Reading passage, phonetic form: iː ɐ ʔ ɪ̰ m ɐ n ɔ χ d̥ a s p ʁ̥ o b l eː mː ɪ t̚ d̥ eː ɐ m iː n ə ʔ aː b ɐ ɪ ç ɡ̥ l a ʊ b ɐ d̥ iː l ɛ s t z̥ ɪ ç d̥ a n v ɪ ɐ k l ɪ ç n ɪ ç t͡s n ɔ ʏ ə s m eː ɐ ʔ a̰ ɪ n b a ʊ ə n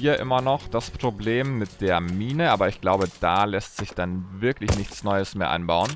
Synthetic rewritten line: iː ɐ ʔ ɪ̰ m ɐ n ɔ χ d̥ a s p ʁ̥ o b l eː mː ɪ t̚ d̥ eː ɐ m iː n ə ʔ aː b ɐ ɪ ç ɡ̥ l a ʊ b ə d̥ aː l ɛ s t z̥ ɪ ç d̥ a n v ɪ ɐ k l ɪ ç n ɪ ç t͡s n ɔ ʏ ə s m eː ɐ ʔ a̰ ɪ n b a ʊ ə n